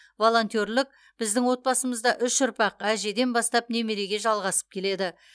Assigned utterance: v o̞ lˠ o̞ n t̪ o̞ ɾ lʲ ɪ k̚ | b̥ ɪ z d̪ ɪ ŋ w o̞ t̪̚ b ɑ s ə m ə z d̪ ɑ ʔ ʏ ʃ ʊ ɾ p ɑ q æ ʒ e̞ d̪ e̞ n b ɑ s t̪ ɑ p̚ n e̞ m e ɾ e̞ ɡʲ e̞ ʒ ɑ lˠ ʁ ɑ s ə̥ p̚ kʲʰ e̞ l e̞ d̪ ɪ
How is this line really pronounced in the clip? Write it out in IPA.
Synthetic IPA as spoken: v o̞ lˠ o̞ n t̪ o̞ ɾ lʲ ɪ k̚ | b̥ ɪ z d̪ ɪ ŋ w o̞ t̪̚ b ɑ s ə m ə z d̪ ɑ ʔ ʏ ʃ ʊ ɾ p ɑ q æ ʒ e̞ d̪ e̞ n b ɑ s t̪ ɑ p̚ n e̞ m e ɾ e̞ ɡʲ e̞ ʒ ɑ lˠ ʁ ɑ s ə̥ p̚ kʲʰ e̞ l e̞ d̪ ɪ